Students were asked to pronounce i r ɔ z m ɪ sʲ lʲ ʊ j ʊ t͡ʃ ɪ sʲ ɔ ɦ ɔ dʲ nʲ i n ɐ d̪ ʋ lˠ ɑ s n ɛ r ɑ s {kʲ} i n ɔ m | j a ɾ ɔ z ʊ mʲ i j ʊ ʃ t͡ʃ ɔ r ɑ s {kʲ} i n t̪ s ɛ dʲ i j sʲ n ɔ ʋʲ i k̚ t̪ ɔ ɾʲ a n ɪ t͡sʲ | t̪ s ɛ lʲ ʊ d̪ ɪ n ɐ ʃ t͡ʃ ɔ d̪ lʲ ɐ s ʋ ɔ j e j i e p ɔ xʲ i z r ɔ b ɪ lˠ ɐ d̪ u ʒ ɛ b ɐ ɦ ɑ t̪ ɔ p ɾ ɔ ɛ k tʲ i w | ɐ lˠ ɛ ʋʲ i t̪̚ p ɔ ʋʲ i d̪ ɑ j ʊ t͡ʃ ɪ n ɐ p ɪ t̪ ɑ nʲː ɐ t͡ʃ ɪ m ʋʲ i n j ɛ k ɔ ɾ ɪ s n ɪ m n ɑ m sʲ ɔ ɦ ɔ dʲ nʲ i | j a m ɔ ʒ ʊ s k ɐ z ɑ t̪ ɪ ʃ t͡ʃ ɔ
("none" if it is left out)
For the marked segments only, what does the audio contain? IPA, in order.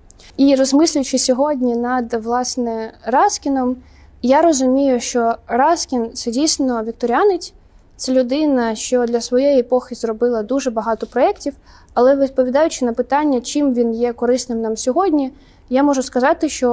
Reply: kʲ, kʲ

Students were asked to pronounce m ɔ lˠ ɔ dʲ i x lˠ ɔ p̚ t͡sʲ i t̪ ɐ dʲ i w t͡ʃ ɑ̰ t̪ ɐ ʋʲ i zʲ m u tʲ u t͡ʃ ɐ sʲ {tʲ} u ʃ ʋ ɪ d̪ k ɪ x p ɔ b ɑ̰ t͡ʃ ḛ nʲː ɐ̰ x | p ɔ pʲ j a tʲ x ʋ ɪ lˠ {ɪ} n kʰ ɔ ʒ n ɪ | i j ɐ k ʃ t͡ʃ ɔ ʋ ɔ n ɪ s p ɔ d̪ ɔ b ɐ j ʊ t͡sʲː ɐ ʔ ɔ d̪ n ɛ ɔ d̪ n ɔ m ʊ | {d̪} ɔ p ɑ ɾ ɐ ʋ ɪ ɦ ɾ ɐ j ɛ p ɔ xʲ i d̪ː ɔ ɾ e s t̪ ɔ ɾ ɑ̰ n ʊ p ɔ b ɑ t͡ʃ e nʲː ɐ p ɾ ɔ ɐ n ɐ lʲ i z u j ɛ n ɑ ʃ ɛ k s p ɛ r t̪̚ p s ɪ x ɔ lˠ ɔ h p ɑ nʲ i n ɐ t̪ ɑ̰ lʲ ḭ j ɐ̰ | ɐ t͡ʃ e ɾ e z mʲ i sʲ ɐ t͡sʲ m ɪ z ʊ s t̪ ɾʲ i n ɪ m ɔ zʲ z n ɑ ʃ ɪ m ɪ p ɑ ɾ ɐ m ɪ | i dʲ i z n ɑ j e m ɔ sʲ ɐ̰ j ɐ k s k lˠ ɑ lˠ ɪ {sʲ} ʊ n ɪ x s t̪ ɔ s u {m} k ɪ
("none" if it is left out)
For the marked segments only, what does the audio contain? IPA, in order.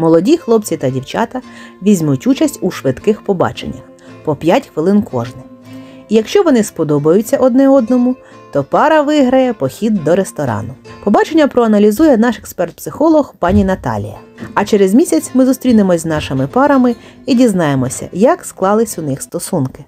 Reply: tʲ, ɪ, t̪, sʲ, n

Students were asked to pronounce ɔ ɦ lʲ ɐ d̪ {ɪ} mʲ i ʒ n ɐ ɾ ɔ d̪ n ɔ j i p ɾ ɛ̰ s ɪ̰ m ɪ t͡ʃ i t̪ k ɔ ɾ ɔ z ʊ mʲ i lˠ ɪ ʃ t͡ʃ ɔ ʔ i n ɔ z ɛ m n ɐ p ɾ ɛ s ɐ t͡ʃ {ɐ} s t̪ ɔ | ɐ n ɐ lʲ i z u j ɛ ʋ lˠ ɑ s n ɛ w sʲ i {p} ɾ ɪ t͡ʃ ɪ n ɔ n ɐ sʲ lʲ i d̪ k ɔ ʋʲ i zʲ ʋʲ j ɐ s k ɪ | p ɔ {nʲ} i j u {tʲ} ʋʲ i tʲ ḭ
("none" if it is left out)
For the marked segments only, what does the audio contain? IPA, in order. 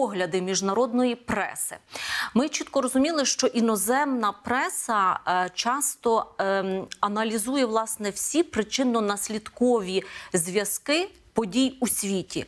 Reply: ɪ, ɑ, p, dʲ, sʲ

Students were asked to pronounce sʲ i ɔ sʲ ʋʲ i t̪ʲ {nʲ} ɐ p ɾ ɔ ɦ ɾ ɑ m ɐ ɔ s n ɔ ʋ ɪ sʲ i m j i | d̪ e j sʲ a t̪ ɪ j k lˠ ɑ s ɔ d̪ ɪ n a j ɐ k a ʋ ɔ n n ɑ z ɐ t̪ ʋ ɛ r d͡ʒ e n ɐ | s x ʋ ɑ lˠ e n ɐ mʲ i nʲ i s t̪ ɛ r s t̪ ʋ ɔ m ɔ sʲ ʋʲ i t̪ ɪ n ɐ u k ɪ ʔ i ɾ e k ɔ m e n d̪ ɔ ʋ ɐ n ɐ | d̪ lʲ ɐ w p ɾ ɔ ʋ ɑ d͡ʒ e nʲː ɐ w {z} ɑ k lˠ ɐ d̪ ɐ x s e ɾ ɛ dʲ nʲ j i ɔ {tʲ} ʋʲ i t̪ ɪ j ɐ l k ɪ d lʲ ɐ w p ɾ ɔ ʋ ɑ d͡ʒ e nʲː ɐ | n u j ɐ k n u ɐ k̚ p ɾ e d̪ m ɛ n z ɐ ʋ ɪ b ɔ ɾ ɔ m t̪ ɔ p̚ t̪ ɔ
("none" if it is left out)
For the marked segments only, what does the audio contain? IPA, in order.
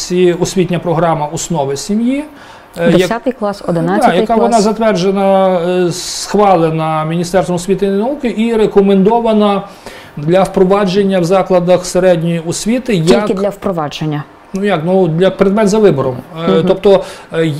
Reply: nʲ, z, sʲ

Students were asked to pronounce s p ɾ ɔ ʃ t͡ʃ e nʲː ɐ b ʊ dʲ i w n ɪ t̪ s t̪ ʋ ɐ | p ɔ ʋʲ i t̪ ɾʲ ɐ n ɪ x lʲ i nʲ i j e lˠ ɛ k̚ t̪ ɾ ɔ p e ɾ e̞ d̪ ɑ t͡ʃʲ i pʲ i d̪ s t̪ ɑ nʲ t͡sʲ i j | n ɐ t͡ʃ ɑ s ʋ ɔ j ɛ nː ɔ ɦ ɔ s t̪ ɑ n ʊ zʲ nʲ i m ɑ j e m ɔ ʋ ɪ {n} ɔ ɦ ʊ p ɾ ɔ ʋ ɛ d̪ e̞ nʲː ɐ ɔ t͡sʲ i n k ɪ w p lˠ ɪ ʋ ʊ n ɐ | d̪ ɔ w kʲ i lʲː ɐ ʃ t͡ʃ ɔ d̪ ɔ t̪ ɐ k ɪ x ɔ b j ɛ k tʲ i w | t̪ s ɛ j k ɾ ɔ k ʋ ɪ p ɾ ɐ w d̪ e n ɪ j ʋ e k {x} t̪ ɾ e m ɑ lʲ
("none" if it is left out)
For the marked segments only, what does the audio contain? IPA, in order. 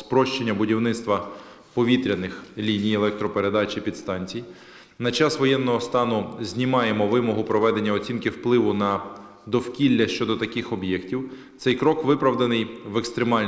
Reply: m, s

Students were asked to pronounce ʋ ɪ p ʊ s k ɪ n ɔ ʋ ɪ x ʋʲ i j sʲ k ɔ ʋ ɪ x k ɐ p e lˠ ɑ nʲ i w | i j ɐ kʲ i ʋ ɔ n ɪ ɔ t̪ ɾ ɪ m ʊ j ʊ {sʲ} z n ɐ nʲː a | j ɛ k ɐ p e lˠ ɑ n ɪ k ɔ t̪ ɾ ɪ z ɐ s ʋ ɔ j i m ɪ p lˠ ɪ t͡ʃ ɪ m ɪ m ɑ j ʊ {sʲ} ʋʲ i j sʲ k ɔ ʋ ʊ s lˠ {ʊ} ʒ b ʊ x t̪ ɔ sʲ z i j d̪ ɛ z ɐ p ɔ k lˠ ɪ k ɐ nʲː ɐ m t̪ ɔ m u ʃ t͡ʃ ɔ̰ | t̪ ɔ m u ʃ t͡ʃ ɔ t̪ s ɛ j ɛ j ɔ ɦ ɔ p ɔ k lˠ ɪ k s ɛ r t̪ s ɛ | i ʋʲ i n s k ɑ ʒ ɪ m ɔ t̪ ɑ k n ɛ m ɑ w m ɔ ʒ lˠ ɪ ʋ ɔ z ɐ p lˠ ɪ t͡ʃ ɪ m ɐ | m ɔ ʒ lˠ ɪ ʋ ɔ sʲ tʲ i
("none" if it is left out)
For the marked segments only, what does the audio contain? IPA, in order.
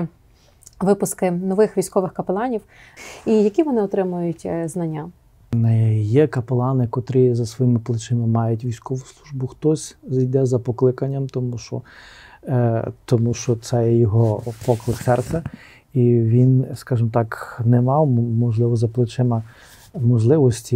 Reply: tʲ, tʲ, u

